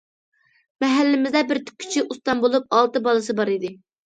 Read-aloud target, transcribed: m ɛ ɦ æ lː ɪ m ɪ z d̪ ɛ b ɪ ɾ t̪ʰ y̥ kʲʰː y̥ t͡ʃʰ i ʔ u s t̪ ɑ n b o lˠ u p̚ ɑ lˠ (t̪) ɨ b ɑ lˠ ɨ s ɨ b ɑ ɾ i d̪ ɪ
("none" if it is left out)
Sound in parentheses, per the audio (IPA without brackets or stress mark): t̪